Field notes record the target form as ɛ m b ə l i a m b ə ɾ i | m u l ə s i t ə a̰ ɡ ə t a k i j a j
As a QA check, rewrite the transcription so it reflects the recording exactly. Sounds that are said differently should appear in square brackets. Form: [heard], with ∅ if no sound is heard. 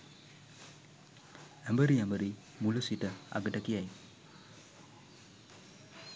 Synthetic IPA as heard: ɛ m b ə [ɾ] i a m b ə ɾ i | m u l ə s i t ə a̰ ɡ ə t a k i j a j